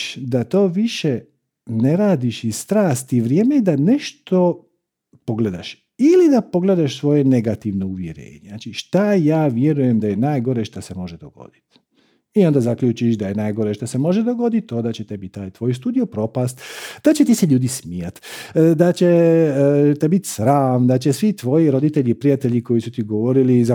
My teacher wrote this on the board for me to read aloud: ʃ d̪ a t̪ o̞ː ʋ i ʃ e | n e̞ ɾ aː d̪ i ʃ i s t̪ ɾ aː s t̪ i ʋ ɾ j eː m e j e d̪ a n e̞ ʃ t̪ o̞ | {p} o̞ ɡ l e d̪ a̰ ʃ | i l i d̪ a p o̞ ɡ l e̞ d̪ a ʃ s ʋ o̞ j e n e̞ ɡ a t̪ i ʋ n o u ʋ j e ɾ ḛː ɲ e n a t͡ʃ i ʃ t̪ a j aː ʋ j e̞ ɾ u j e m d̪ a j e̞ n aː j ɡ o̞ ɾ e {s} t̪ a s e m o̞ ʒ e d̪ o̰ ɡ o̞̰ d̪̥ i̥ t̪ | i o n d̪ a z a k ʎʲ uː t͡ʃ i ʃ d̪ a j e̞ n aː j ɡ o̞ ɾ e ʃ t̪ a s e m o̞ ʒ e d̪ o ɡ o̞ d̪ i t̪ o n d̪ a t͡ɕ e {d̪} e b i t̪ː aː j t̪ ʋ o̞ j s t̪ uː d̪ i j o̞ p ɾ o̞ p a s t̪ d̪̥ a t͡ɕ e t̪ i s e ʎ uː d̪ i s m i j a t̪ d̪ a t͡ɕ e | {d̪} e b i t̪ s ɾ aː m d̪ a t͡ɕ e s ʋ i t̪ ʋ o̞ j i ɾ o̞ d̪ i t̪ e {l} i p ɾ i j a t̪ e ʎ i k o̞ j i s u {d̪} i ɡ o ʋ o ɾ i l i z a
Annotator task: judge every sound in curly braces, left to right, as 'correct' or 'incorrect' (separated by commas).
correct, incorrect, incorrect, incorrect, incorrect, incorrect